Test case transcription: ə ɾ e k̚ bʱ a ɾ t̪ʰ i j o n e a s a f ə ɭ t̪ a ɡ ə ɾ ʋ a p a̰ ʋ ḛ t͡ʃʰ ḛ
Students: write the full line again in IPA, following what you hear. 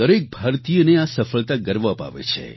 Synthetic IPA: ə ɾ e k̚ bʱ a ɾ t̪ i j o n e a s ə f ə ɭ t̪ a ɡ ə ɾ ʋ a p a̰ ʋ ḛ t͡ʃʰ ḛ